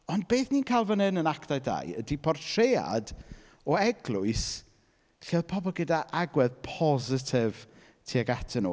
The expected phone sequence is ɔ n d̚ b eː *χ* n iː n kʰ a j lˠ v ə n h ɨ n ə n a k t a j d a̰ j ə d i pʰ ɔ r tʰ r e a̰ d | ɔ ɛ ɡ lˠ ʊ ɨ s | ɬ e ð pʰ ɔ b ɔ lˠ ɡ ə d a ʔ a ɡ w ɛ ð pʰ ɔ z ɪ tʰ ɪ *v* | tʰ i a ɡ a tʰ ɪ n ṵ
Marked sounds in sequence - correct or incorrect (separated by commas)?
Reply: incorrect, correct